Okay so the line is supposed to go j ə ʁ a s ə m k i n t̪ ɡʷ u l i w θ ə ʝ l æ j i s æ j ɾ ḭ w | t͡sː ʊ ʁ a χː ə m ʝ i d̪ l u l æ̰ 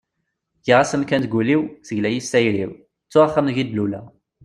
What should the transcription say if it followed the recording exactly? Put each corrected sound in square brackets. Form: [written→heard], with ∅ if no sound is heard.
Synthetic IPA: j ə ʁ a s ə m k [i→æ] n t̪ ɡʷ u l i w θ ə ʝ l æ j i s æ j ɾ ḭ w | t͡sː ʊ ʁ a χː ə m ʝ i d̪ l u l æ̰